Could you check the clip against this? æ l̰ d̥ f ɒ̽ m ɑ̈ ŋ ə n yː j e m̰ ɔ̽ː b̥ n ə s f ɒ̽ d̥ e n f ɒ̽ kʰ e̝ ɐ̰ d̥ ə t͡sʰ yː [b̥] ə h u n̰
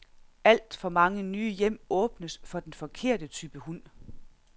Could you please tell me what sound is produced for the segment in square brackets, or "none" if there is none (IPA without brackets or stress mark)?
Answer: b̥